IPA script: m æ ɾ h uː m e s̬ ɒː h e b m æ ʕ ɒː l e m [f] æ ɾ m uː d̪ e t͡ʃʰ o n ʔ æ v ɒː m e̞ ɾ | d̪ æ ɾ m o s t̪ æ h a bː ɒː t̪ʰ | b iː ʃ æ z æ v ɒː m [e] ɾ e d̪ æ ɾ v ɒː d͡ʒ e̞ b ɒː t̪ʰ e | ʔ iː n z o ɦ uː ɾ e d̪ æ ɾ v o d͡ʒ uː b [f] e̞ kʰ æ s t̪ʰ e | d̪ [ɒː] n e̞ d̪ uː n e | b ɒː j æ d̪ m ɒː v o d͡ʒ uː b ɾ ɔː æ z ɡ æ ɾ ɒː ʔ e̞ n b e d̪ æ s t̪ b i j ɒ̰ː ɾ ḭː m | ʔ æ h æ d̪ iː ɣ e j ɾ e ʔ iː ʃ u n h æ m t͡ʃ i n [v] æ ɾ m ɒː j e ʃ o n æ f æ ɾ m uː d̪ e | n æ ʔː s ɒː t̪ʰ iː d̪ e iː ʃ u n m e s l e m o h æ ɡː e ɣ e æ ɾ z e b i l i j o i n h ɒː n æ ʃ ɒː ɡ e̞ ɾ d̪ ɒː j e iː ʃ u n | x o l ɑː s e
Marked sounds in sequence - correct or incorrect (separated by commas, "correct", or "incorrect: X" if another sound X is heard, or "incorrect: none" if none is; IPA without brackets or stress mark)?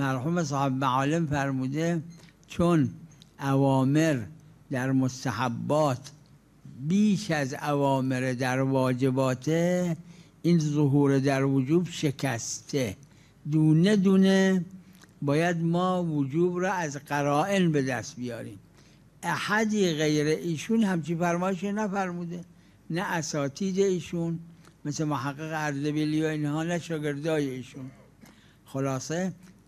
correct, correct, incorrect: ʃ, incorrect: uː, incorrect: f